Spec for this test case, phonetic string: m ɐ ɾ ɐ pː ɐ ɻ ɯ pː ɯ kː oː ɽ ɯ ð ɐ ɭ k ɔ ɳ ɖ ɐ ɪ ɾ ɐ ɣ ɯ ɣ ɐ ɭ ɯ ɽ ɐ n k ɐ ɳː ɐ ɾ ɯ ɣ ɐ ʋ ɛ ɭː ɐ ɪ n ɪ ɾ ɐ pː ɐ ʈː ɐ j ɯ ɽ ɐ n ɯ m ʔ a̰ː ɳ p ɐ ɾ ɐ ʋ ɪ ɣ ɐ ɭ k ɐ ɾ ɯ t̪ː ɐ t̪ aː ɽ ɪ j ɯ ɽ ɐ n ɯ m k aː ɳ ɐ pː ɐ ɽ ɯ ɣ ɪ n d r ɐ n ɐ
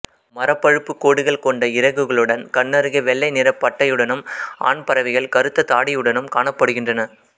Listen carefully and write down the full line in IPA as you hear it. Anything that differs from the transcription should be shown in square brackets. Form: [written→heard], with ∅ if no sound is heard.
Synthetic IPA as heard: m ɐ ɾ ɐ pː ɐ ɻ ɯ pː ɯ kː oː ɽ ɯ [ð→ɣ] ɐ ɭ k ɔ ɳ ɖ ɐ ɪ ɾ ɐ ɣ ɯ ɣ ɐ ɭ ɯ ɽ ɐ n k ɐ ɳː ɐ ɾ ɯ ɣ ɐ ʋ ɛ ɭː ɐ ɪ n ɪ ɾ ɐ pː ɐ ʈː ɐ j ɯ ɽ ɐ n ɯ m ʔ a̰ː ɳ p ɐ ɾ ɐ ʋ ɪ ɣ ɐ ɭ k ɐ ɾ ɯ t̪ː ɐ t̪ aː ɽ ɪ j ɯ ɽ ɐ n ɯ m k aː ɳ ɐ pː ɐ ɽ ɯ ɣ ɪ n d r ɐ n ɐ

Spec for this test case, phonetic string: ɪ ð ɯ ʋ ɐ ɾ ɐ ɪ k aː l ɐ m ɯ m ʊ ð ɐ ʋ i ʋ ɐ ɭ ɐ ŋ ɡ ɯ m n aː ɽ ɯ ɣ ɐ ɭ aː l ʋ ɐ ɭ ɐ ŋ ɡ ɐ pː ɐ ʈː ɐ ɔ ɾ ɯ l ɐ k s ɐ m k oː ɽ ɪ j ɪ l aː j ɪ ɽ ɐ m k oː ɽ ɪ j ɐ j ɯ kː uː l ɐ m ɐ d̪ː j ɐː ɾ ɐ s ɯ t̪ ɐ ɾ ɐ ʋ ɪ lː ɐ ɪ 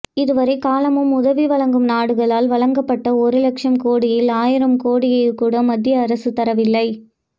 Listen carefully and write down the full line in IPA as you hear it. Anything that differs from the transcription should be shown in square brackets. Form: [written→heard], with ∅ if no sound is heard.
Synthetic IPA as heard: ɪ ð ɯ ʋ ɐ ɾ ɐ ɪ k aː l ɐ m ɯ m ʊ ð ɐ ʋ i ʋ ɐ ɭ ɐ ŋ ɡ ɯ m n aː ɽ ɯ ɣ ɐ ɭ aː l ʋ ɐ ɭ ɐ ŋ ɡ ɐ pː ɐ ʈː ɐ ɔ ɾ ɯ l ɐ k [s→ʂ] ɐ m k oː ɽ ɪ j ɪ l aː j ɪ [ɽ→ɾ] ɐ m k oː ɽ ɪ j ɐ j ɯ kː uː [l→ɽ] ɐ m ɐ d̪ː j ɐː ɾ ɐ s ɯ t̪ ɐ ɾ ɐ ʋ ɪ lː ɐ ɪ

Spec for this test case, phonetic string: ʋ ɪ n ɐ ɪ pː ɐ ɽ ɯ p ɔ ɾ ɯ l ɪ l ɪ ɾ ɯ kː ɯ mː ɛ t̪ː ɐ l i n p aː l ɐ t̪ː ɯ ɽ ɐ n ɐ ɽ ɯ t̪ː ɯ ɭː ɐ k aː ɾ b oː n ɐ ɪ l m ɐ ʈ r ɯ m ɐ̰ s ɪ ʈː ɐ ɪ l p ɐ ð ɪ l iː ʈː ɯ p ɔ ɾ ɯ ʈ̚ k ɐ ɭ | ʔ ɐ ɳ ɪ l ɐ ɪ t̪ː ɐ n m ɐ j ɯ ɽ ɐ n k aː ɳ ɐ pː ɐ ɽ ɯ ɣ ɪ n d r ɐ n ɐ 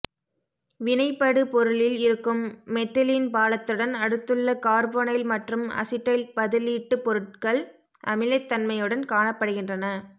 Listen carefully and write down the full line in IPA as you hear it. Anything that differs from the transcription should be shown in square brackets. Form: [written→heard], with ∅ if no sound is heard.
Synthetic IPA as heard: ʋ ɪ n ɐ ɪ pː ɐ ɽ ɯ p ɔ ɾ ɯ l ɪ l ɪ ɾ ɯ kː ɯ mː ɛ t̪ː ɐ l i n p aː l ɐ t̪ː ɯ ɽ ɐ n ɐ ɽ ɯ t̪ː ɯ ɭː ɐ k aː ɾ b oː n ɐ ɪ l m ɐ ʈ r ɯ m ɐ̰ s ɪ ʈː ɐ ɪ l p ɐ ð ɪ l iː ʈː ɯ p ɔ ɾ ɯ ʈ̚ k ɐ ɭ | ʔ ɐ [ɳ→m] ɪ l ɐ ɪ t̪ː ɐ n m ɐ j ɯ ɽ ɐ n k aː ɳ ɐ pː ɐ ɽ ɯ ɣ ɪ n d r ɐ n ɐ

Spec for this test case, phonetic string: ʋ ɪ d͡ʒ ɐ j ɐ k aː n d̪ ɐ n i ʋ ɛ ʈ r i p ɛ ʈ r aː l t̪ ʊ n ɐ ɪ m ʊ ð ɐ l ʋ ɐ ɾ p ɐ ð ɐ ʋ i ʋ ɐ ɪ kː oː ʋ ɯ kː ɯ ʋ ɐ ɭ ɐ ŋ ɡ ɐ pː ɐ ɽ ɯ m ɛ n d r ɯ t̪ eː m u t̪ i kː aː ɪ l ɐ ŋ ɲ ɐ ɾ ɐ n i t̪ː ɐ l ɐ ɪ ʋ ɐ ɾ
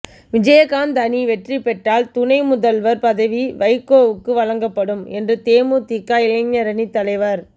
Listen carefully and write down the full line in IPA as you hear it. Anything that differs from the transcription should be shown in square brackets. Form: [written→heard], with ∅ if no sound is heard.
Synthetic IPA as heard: ʋ ɪ d͡ʒ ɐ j ɐ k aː n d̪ ɐ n i ʋ ɛ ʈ r i p ɛ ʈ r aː l t̪ ʊ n ɐ ɪ m ʊ ð ɐ l ʋ ɐ ɾ p ɐ ð ɐ ʋ i ʋ ɐ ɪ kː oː ʋ ɯ kː ɯ ʋ ɐ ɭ ɐ ŋ ɡ ɐ pː ɐ ɽ ɯ m ɛ n d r ɯ t̪ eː m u t̪ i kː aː ɪ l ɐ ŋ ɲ ɐ ɾ ɐ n i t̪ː ɐ l ɐ ɪ ʋ ɐ ɾ

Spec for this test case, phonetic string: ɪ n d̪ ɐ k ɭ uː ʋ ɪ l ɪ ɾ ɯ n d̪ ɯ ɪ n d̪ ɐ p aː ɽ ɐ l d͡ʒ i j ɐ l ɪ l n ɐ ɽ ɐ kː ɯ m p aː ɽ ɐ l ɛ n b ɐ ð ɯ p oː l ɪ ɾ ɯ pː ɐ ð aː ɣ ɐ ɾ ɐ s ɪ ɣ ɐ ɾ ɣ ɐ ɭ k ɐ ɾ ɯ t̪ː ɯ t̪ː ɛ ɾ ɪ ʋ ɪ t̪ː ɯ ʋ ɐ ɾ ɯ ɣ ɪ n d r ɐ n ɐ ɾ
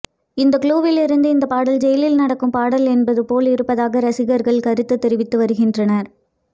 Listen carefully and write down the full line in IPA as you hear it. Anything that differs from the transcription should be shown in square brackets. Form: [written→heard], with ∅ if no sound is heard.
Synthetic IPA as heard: ɪ n d̪ ɐ k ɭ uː ʋ ɪ l ɪ ɾ ɯ n d̪ ɯ ɪ n d̪ ɐ p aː ɽ ɐ l d͡ʒ [i→ɛ] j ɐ l ɪ l n ɐ ɽ ɐ kː ɯ m p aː ɽ ɐ l ɛ n b ɐ ð ɯ p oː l ɪ ɾ ɯ pː ɐ ð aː ɣ ɐ ɾ ɐ s ɪ ɣ ɐ ɾ ɣ ɐ ɭ k ɐ ɾ ɯ t̪ː ɯ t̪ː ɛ ɾ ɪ ʋ ɪ t̪ː ɯ ʋ ɐ ɾ ɯ ɣ ɪ n d r ɐ n ɐ ɾ

